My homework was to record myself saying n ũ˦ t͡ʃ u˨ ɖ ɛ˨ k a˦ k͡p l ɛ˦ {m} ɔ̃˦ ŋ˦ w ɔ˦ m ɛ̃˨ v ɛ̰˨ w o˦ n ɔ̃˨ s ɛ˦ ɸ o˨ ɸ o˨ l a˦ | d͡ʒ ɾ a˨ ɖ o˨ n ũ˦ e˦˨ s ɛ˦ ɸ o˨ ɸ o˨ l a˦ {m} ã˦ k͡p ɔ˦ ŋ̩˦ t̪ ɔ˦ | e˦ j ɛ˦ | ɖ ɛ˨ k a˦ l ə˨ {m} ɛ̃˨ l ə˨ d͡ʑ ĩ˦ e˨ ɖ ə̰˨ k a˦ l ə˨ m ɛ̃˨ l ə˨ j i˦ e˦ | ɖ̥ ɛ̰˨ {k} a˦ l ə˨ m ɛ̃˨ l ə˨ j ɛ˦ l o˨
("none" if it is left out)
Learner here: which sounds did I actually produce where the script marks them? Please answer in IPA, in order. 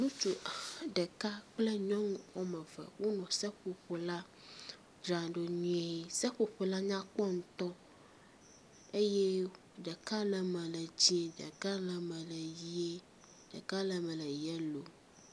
ɲ, ɲ, m, k

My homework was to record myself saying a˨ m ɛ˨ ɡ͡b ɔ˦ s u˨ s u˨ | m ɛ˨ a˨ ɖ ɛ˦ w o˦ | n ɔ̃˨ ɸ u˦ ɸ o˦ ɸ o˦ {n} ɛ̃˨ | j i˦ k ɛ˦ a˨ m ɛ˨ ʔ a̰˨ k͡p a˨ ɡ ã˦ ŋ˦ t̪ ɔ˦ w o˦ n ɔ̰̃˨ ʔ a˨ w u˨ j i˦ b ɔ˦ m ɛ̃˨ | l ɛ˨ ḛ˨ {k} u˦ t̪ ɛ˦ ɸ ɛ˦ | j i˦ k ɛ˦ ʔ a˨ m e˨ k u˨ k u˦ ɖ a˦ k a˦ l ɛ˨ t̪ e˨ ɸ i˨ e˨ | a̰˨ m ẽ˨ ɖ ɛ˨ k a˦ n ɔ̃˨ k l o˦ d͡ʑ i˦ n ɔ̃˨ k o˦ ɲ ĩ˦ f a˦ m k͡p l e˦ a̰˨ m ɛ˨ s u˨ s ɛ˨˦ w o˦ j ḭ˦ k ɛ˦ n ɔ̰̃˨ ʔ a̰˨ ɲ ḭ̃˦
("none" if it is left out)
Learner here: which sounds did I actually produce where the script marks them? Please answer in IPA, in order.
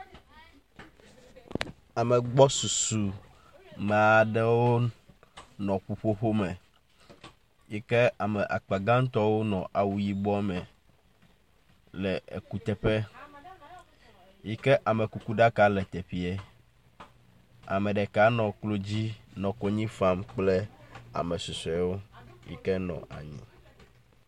m, k

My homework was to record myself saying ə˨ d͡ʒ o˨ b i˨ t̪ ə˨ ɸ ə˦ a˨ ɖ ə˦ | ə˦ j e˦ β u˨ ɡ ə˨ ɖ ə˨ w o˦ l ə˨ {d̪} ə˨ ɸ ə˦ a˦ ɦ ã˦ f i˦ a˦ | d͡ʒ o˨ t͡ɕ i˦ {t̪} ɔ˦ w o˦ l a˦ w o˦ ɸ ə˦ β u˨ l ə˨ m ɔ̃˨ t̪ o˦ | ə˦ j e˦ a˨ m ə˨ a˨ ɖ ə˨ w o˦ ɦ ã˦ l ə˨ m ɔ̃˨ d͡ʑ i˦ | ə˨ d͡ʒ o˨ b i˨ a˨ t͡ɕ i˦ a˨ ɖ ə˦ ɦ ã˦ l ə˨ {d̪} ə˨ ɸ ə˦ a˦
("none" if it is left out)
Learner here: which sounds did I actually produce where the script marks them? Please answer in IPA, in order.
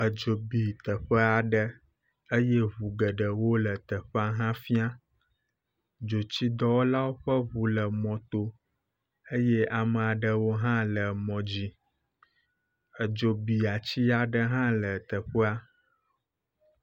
t̪, d̪, t̪

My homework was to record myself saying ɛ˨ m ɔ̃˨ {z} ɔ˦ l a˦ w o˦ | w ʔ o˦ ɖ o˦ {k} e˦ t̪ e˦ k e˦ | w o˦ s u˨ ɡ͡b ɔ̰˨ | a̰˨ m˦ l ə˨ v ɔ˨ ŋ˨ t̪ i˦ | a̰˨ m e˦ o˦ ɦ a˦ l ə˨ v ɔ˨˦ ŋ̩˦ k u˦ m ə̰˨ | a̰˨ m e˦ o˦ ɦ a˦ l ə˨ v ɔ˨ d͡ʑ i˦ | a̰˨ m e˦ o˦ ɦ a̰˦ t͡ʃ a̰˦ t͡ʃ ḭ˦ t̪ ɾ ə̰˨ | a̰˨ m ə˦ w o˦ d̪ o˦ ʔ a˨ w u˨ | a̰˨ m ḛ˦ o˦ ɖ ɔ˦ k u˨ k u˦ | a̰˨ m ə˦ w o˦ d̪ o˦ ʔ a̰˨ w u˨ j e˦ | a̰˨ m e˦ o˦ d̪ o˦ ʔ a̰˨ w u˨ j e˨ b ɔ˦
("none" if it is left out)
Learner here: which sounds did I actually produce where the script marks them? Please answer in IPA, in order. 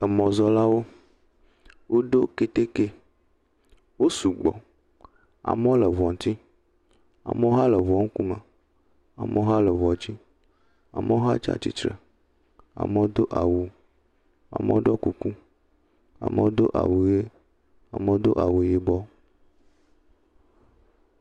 z, k

